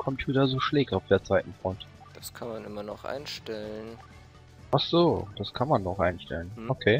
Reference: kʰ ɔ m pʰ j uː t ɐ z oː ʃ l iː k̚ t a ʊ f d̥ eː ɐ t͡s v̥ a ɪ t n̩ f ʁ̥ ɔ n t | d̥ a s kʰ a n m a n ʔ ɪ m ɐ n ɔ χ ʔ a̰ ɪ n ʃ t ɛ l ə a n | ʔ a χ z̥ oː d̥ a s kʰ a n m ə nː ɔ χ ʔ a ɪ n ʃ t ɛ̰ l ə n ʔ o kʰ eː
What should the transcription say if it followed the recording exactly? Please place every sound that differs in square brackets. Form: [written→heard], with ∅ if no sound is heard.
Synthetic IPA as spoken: kʰ ɔ m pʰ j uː t ɐ z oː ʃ l [iː→ɛː] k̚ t a ʊ f d̥ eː ɐ t͡s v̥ a ɪ t n̩ f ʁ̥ ɔ n t | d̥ a s kʰ a n m a n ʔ ɪ m ɐ n ɔ χ ʔ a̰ ɪ n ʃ t ɛ l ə [a→ə] n | ʔ a χ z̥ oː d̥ a s kʰ a n m [ə→a] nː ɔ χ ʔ a ɪ n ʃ t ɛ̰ l ə n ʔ o kʰ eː

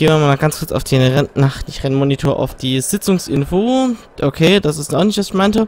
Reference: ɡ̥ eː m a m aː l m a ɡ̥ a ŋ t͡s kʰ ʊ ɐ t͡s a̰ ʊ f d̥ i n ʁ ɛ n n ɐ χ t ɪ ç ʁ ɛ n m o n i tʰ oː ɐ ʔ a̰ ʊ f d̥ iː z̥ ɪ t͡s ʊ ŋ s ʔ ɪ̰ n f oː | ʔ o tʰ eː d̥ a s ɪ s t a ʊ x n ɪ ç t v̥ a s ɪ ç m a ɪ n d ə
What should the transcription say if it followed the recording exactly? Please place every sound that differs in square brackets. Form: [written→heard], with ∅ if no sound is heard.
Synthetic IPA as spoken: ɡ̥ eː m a m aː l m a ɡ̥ a [ŋ→n] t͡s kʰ ʊ ɐ t͡s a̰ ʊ f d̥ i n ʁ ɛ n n [ɐ→a] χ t ɪ ç ʁ ɛ n m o n i tʰ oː ɐ ʔ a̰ ʊ f d̥ iː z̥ ɪ t͡s ʊ ŋ s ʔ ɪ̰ n f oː | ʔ o [tʰ→kʰ] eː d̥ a s ɪ s t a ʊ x n ɪ ç t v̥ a s ɪ ç m a ɪ n [d→t] ə

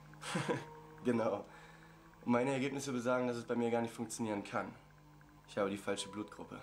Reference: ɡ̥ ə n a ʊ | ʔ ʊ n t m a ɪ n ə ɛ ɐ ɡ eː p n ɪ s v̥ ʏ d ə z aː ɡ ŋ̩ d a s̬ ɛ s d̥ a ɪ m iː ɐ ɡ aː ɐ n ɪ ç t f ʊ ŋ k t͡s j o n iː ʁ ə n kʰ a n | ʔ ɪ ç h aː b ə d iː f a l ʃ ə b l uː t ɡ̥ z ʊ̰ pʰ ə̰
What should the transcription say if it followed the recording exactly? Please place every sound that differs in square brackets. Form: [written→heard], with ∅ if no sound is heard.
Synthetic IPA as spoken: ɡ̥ ə n a ʊ | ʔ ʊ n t m a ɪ n ə ɛ ɐ ɡ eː p n ɪ s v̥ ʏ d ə z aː ɡ ŋ̩ d a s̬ ɛ s [d̥→b̥] a ɪ m iː ɐ ɡ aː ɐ n ɪ ç t f ʊ ŋ k t͡s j o n iː ʁ ə n kʰ a n | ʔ ɪ ç h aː b ə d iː f a l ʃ ə b l uː t ɡ̥ [z→ʁ] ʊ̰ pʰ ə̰

